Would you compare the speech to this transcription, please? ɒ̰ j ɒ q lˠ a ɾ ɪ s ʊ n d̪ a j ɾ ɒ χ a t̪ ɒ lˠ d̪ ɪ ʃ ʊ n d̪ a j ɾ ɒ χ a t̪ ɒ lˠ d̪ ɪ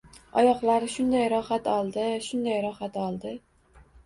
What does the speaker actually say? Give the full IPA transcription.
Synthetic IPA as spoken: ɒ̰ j ɒ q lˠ a ɾ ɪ ʃ ʊ n d̪ a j ɾ ɒ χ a t̪ ɒ lˠ d̪ ɪ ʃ ʊ n d̪ a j ɾ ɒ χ a t̪ ɒ lˠ d̪ ɪ